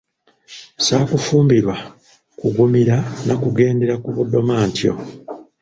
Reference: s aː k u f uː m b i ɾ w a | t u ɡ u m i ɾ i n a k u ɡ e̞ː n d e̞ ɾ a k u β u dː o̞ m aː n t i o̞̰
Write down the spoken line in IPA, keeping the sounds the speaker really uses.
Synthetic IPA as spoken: s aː k u f uː m b i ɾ w a | k u ɡ u m i ɾ a n a k u ɡ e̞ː n d e̞ ɾ a k u β u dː o̞ m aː n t j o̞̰